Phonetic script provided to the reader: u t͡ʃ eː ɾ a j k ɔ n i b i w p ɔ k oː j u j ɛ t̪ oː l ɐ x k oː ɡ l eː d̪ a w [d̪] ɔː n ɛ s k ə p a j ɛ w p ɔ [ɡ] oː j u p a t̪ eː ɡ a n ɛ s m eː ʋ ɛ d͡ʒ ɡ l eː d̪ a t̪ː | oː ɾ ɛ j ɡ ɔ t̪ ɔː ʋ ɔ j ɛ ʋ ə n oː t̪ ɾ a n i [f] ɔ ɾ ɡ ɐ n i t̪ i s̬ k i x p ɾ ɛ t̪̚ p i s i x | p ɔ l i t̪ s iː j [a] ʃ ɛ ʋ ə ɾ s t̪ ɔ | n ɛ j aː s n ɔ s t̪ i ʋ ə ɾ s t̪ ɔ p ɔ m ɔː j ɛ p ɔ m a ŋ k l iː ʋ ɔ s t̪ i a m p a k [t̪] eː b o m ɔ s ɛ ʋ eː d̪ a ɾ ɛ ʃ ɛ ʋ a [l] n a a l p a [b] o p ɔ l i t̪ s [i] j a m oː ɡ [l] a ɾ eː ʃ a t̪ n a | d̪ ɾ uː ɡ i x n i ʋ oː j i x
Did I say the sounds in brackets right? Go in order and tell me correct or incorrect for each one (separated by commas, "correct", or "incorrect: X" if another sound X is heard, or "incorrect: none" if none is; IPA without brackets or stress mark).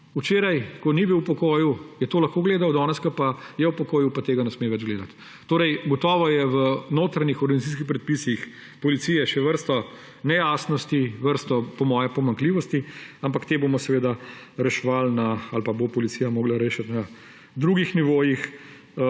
correct, incorrect: k, incorrect: x, incorrect: ɛ, correct, correct, correct, correct, correct